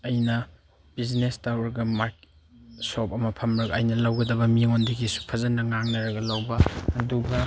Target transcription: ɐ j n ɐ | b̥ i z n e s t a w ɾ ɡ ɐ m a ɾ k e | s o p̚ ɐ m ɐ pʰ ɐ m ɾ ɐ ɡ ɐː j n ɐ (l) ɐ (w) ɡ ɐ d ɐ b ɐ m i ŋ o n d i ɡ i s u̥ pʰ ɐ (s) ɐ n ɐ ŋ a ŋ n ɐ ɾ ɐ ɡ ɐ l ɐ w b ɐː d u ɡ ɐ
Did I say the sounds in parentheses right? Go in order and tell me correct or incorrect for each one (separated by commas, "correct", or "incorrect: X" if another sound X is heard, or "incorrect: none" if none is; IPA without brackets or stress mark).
correct, correct, incorrect: z